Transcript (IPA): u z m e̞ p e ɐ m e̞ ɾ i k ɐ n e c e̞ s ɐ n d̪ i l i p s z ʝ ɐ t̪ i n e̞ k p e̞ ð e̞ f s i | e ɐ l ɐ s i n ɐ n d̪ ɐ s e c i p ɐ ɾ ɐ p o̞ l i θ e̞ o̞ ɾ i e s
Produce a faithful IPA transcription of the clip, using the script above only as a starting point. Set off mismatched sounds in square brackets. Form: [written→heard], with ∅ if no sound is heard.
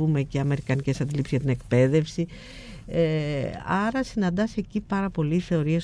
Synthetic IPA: u [z→∅] m e̞ [p→c] e ɐ m e̞ ɾ i k ɐ n [e→i] c e̞ s ɐ n d̪ i l i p s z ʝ ɐ t̪ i n e̞ k p e̞ ð e̞ f s i | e ɐ [l→ɾ] ɐ s i n ɐ n d̪ ɐ s e c i p ɐ ɾ ɐ p o̞ l i θ e̞ o̞ ɾ i e s